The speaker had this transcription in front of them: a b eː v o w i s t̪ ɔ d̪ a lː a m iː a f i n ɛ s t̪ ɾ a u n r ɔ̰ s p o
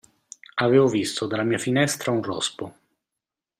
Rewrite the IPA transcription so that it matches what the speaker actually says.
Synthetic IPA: a v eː v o v i s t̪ o d̪ a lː a m iː a f i n ɛ s t̪ ɾ a u n r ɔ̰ s p o

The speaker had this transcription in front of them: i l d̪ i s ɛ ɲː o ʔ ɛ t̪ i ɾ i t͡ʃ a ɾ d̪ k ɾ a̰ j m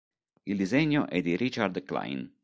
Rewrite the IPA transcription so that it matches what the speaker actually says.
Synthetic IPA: i l d̪ i z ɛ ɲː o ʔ ɛ d̪ i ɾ i t͡ʃ a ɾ d̪ k l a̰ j n

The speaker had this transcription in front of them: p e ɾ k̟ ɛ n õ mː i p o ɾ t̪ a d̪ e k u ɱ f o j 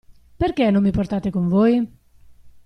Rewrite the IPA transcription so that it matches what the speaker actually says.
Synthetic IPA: p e ɾ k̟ ɛ n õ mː i p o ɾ t̪ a t̪ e k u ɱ v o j

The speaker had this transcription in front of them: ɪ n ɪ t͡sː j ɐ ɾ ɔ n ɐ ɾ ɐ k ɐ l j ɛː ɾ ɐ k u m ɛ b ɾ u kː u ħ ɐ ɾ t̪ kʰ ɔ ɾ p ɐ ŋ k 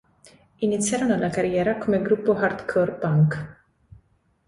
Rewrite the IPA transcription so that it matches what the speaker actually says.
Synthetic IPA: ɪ n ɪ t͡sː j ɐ ɾ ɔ n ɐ l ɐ k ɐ ɾ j ɛː ɾ ɐ k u m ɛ ɡ ɾ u pː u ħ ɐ ɾ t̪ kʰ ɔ ɾ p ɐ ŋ k

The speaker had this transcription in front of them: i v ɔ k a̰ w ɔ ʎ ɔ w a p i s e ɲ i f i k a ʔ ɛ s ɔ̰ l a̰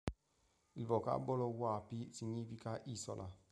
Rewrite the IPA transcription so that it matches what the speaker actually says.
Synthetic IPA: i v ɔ k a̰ b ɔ l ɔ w a p i s i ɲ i f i k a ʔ i s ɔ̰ l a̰

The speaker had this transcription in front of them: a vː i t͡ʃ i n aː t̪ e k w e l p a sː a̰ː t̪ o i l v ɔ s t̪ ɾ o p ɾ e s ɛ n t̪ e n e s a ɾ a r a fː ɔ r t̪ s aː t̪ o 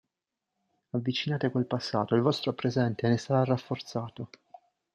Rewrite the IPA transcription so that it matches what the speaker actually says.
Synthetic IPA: a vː i t͡ʃ i n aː t̪ e k w e l p a sː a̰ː t̪ o i l v ɔ s t̪ ɾ o p ɾ e z ɛ n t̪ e n e s a ɾ a r a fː o r t̪ s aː t̪ o

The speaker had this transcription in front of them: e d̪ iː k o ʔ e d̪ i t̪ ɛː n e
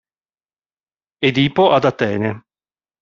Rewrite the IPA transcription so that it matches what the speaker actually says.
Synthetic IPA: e d̪ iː p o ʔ a d̪ a t̪ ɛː n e

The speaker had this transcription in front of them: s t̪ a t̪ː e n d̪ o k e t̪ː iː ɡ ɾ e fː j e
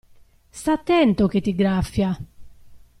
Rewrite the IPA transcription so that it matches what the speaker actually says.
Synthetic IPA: s t̪ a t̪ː ɛ n t̪ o k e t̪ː i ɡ ɾ a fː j a

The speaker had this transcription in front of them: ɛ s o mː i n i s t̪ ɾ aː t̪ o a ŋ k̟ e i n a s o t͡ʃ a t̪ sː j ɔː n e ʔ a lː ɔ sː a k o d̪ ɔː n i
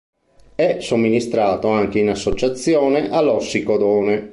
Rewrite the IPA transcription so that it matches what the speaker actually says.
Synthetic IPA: ɛ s o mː i n i s t̪ ɾ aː t̪ o a ŋ k̟ e i n a sː o t͡ʃ a t̪ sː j ɔː n e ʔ a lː ɔ sː i k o d̪ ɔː n e

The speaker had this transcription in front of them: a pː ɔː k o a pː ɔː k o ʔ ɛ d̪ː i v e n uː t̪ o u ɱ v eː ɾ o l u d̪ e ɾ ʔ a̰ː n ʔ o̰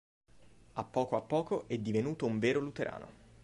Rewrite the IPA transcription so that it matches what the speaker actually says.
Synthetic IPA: a pː ɔː k o a pː ɔː k o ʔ ɛ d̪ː i v e n uː t̪ o u ɱ v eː ɾ o l u t̪ e ɾ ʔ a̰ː n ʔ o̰

